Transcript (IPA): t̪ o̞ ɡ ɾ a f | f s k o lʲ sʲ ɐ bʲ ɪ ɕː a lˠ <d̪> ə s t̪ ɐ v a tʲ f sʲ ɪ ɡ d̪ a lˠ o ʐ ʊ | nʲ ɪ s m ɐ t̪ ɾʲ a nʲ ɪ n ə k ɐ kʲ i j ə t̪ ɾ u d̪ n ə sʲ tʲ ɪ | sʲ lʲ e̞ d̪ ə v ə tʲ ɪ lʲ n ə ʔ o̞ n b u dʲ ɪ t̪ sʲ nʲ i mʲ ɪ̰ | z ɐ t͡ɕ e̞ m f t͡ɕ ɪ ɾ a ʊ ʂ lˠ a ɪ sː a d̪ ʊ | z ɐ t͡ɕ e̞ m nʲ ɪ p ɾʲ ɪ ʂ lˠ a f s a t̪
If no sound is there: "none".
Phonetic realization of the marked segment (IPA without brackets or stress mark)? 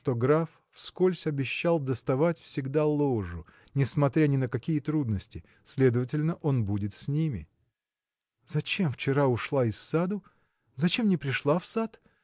d̪